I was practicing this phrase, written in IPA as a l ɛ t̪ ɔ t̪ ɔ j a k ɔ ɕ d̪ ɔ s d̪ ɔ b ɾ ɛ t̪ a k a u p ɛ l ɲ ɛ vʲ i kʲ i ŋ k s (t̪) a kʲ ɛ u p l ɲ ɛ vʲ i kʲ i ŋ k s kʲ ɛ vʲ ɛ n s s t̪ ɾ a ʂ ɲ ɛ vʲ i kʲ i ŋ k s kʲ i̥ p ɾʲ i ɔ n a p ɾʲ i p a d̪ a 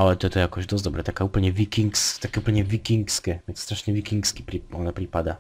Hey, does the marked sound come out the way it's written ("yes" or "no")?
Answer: yes